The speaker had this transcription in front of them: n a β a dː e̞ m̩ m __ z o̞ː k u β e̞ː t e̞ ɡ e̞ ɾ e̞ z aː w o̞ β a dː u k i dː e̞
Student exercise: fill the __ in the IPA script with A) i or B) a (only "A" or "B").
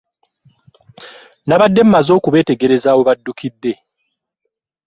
B